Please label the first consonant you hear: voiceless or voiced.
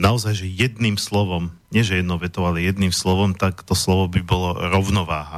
voiced